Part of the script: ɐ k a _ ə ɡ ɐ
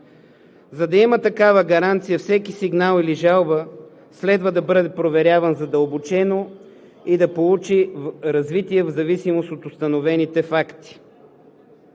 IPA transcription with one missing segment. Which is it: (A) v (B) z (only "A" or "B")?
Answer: A